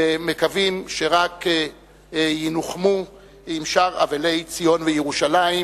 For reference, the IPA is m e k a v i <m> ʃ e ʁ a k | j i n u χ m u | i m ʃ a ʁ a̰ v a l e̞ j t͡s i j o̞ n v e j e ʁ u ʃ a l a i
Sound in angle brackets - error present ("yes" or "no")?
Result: no